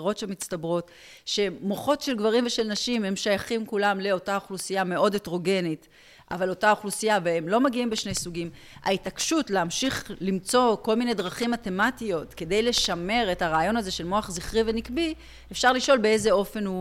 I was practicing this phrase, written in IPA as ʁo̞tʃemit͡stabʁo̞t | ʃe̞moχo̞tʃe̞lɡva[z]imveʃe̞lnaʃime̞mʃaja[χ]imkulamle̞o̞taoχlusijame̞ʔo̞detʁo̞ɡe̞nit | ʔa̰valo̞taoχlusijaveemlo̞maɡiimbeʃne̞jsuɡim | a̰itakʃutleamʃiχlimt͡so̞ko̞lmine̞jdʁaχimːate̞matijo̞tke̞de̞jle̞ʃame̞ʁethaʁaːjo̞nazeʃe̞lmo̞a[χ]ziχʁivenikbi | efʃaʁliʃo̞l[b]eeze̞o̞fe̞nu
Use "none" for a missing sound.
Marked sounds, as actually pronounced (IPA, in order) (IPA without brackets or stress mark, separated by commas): ʁ, χ, χ, b